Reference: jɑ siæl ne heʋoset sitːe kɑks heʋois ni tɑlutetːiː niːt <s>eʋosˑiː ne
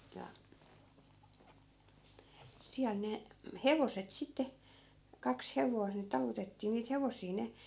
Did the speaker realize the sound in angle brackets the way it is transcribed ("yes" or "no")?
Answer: no